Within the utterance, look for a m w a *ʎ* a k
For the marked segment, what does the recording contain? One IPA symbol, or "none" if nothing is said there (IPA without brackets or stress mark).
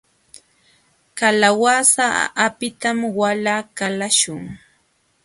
l